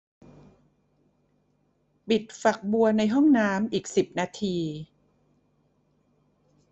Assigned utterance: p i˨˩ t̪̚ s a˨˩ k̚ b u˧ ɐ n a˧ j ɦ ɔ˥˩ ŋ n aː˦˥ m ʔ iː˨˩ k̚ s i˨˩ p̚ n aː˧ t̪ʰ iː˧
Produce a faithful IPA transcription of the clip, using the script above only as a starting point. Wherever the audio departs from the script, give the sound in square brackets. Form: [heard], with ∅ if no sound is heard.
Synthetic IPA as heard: p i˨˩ t̪̚ [f] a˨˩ k̚ b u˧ ɐ n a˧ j ɦ ɔ˥˩ ŋ n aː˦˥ m ʔ iː˨˩ k̚ s i˨˩ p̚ n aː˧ t̪ʰ iː˧